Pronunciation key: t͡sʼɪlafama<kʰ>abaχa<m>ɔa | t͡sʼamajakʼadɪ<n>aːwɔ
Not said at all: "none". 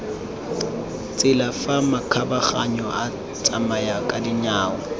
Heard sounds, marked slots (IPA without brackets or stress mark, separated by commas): kʰ, ɲ, ɲ